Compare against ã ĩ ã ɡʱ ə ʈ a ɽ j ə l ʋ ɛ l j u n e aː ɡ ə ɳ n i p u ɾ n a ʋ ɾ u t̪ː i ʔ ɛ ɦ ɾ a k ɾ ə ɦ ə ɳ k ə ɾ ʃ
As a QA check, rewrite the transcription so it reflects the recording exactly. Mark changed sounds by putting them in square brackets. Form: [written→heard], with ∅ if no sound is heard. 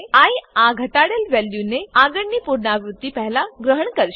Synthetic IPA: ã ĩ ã ɡʱ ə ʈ a ɽ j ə l ʋ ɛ l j u n e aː ɡ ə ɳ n i p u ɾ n a ʋ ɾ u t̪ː i [ʔ→p] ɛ ɦ [ɾ→l] a [k→ɡ] ɾ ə ɦ ə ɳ k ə ɾ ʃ

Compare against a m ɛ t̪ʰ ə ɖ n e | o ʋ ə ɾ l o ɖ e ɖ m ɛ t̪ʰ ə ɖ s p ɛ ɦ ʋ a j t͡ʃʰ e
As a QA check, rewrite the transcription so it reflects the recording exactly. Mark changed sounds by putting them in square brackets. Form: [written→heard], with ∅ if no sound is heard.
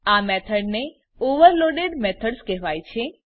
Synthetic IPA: a m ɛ t̪ʰ ə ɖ n e | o ʋ ə ɾ l o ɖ e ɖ m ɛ t̪ʰ ə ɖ s [p→k] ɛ ɦ ʋ a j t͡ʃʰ e

